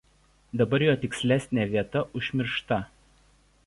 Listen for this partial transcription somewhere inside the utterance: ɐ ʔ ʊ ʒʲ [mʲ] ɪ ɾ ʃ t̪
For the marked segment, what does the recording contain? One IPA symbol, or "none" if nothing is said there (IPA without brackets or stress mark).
mʲ